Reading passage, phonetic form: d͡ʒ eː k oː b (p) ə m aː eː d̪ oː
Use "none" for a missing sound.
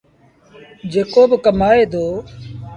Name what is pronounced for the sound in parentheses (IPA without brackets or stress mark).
k